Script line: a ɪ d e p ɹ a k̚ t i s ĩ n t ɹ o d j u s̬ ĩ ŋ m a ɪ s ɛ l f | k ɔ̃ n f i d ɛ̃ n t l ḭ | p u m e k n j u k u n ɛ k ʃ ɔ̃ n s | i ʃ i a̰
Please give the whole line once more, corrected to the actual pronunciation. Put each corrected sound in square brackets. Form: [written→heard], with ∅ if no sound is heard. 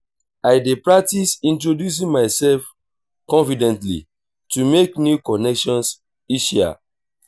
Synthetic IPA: a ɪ d e p ɹ a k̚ t i s ĩ n t ɹ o d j u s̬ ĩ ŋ m a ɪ s ɛ l f | k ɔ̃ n f i d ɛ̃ n t l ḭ | [p→t] u m e k n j u k [u→ɔ] n ɛ k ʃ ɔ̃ n s | i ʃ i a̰

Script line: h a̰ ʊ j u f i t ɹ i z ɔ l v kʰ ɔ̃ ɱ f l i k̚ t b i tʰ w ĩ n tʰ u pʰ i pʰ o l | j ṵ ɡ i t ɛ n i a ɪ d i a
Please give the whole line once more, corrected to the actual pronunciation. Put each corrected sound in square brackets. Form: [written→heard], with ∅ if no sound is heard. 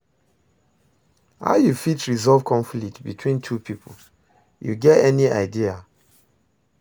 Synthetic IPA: h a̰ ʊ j u f i t ɹ i z ɔ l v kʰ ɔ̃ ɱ f l i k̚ t b i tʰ w ĩ n tʰ u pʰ i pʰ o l | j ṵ ɡ [i→ɛ] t ɛ n i a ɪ d i a

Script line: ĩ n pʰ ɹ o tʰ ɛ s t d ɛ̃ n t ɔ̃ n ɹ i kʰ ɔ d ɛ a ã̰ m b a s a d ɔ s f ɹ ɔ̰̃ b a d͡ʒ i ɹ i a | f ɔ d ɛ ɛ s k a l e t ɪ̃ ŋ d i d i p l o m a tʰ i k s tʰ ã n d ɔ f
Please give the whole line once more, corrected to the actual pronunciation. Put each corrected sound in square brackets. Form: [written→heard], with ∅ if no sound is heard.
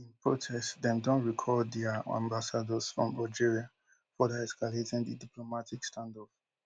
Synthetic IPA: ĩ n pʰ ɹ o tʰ ɛ s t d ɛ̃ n [t→d] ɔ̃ n ɹ i kʰ ɔ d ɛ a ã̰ m b a s a d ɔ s f ɹ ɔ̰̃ [b→m] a d͡ʒ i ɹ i a | f ɔ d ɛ ɛ s k a l e t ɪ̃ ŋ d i d i p l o m a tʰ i k s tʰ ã n d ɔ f

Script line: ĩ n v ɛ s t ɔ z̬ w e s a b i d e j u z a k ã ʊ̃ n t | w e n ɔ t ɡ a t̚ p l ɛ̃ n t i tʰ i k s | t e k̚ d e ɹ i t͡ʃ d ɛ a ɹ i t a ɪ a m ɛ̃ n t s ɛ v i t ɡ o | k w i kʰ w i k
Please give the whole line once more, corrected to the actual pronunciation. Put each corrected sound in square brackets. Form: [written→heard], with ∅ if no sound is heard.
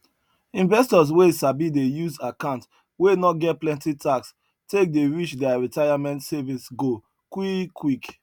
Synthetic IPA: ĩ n v ɛ s t ɔ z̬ w e s a b i d e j u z a k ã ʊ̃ n t | w e n ɔ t ɡ [a→ɛ] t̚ p l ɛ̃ n t i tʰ [i→a] k s | t e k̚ d e ɹ i t͡ʃ d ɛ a ɹ i t a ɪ a m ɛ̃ n t s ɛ v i [t→s] ɡ o | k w i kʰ w i k

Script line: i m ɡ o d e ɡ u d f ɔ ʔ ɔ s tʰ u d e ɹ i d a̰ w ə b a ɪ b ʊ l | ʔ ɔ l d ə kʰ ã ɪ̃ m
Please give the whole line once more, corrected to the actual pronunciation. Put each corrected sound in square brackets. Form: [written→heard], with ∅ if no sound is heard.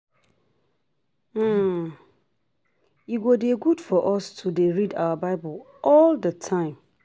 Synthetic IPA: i [m→∅] ɡ o d e ɡ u d f ɔ ʔ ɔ s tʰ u d e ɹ i d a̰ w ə b a ɪ b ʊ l | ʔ ɔ l d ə [kʰ→tʰ] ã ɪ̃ m

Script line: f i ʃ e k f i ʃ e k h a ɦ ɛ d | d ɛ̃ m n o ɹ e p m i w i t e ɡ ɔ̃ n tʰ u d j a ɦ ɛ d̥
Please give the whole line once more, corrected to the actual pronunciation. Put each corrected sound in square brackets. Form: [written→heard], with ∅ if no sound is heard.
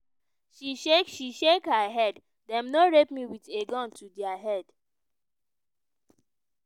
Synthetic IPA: [f→ʃ] i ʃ e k [f→ʃ] i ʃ e k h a ɦ ɛ d | d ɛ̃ m n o ɹ e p m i w i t e ɡ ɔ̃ n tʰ u d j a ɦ ɛ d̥

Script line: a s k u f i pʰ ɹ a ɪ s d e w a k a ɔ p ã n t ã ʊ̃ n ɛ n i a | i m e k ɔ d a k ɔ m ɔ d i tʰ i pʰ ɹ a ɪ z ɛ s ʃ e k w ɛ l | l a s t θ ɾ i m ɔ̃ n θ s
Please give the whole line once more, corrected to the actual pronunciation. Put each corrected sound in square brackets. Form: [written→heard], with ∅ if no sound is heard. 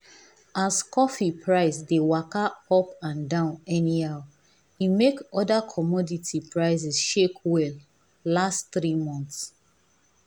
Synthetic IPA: a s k [u→ɔ] f i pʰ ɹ a ɪ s d e w a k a ɔ p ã n [t→d] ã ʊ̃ n ɛ n i a | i m e k ɔ d a [k→kʰ] ɔ m ɔ d i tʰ i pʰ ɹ a ɪ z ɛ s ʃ e k w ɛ l | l a s t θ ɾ i m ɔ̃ n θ s

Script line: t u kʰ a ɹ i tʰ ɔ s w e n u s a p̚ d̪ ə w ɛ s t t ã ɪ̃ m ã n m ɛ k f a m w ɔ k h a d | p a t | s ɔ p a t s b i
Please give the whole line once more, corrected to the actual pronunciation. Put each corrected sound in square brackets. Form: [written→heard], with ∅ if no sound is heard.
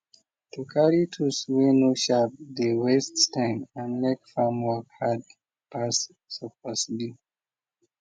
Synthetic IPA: t u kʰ a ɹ i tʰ [ɔ→u] s w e n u [s→ʃ] a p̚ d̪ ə w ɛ s t t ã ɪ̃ m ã n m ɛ k f a m w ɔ k h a d | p a [t→s] | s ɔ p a [t→∅] s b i

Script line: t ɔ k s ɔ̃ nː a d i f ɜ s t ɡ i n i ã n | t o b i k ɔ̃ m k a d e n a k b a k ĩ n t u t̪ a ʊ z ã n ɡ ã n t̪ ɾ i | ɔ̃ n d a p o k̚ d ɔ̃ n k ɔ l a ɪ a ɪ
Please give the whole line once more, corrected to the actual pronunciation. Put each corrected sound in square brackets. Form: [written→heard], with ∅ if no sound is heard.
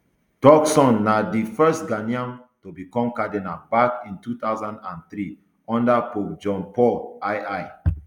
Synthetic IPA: t ɔ k s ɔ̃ nː a d i f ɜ s t ɡ [i→a] n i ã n | t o b i k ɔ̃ m k a d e n a [k→∅] b a k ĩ n t u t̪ a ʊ z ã n [ɡ→d] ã n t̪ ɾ i | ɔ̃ n d a p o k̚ [d→d͡ʒ] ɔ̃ n [k→p] ɔ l a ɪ a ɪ

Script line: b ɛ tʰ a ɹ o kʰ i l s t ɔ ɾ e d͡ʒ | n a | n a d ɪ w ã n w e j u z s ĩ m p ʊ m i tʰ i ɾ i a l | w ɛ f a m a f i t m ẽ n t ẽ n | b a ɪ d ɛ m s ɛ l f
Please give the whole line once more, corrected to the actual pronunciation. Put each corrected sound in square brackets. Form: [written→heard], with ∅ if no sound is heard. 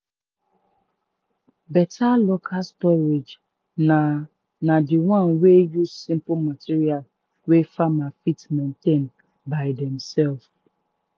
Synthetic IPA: b ɛ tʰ a [ɹ→l] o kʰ [i→a] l s t ɔ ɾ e d͡ʒ | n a | n a d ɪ w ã n w e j u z s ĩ m p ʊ m [i→a] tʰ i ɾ i a l | w [ɛ→e] f a m a f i t m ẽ n t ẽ n | b a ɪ d ɛ m s ɛ l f

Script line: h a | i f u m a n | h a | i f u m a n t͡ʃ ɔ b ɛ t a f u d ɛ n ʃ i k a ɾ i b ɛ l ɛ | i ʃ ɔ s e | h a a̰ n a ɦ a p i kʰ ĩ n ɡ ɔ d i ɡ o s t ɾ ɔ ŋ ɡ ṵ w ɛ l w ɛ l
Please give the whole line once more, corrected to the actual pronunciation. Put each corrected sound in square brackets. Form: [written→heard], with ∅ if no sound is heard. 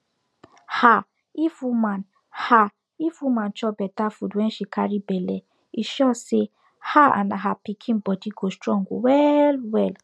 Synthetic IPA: h a | i f u m a n | h a | i f u m a n t͡ʃ ɔ b ɛ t a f u d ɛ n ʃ i k a ɾ i b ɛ l ɛ | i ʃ ɔ s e | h a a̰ n a ɦ a p i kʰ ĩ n [ɡ→b] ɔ d i ɡ o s t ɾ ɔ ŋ ɡ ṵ w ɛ l w ɛ l

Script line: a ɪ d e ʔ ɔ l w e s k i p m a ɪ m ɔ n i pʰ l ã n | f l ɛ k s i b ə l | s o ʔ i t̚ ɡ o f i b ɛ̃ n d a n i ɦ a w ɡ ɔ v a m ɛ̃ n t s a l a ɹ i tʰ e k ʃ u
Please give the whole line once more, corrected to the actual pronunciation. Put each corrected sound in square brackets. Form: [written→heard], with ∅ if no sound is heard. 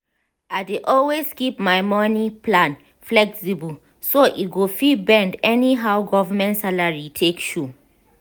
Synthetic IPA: a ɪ d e ʔ ɔ l w e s k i p m a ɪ m ɔ n i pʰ l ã n | f l ɛ k s i b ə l | s o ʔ i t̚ ɡ o f i b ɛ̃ n d [a→ɛ] n i ɦ a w ɡ ɔ v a m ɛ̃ n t s a l a ɹ i tʰ e k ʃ u

